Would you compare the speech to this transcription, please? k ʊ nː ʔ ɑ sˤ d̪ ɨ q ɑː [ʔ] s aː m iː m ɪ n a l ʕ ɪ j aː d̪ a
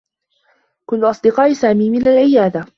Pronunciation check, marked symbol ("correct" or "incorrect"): correct